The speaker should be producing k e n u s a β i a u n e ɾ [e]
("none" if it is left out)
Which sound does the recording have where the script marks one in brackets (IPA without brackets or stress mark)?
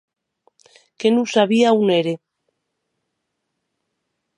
e